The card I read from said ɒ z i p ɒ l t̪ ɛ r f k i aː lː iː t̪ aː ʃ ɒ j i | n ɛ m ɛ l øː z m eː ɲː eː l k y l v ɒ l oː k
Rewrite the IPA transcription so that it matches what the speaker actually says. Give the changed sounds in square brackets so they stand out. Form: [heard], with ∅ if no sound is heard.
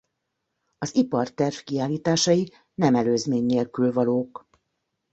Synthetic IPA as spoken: ɒ z i p ɒ [r] t̪ ɛ r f k i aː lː iː t̪ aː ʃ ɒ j i | n ɛ m ɛ l øː z m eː ɲː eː l k y l v ɒ l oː k